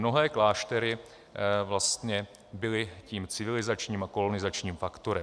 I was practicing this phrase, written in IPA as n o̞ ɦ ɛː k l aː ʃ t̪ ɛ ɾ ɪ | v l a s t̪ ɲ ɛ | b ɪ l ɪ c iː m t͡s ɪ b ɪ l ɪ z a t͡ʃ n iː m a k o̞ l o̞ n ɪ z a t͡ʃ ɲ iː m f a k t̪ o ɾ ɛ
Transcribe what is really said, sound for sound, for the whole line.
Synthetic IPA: n o̞ ɦ ɛː k l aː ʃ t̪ ɛ ɾ ɪ | v l a s t̪ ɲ ɛ | b ɪ l ɪ c iː m t͡s ɪ v ɪ l ɪ z a t͡ʃ ɲ iː m a k o̞ l o̞ n ɪ z a t͡ʃ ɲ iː m f a k t̪ o ɾ ɛ